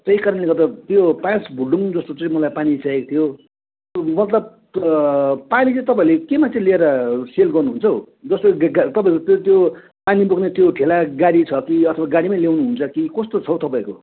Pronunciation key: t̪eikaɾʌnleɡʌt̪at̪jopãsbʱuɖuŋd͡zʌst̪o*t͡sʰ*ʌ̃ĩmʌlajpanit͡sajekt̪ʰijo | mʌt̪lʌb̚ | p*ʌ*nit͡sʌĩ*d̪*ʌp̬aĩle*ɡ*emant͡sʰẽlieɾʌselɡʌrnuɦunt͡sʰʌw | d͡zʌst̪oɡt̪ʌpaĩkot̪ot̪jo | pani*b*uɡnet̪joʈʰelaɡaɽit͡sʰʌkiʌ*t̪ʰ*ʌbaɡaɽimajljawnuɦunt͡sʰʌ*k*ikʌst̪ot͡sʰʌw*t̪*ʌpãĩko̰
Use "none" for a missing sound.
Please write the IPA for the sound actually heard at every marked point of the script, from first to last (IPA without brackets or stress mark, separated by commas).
t͡s, a, t̪, k, b, t̪ʰ, k, t̪